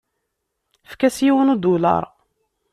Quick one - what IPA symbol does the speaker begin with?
f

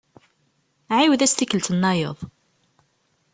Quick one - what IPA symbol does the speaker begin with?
ʕ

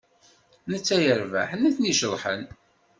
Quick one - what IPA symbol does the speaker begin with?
n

